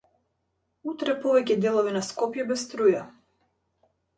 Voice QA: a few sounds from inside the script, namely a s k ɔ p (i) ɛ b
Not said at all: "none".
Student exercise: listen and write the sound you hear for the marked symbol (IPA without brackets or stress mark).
j